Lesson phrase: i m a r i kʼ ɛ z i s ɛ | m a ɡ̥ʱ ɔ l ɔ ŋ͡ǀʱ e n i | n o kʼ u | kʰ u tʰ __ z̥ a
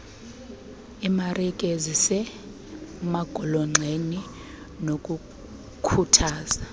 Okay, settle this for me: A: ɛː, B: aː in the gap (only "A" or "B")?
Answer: B